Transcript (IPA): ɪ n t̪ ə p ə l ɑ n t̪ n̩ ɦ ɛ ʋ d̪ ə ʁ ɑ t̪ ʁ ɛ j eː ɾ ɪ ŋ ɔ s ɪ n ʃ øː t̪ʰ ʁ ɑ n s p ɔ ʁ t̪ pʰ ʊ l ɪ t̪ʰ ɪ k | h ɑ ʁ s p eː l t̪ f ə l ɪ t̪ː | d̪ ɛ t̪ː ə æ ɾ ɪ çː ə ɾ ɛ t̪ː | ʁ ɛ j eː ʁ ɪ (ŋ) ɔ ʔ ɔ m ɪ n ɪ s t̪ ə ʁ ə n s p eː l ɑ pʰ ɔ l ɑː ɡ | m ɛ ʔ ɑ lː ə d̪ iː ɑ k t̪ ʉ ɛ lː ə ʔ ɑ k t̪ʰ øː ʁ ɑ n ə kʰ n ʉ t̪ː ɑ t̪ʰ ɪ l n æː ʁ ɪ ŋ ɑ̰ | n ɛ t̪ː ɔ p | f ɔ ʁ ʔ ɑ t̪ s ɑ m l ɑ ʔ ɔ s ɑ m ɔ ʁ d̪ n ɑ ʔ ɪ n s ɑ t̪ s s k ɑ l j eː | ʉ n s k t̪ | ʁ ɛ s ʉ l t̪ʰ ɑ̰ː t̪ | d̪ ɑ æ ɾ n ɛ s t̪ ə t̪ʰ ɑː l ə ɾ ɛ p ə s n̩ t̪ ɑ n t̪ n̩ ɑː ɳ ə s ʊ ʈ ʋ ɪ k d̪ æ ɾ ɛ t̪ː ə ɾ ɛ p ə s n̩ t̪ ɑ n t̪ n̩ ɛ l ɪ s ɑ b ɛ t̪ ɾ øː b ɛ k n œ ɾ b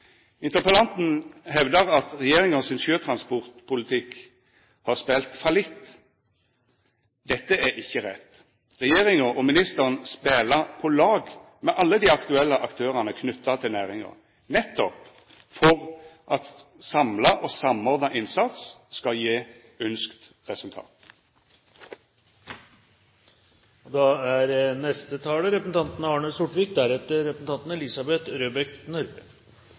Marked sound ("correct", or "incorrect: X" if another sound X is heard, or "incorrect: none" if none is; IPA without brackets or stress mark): correct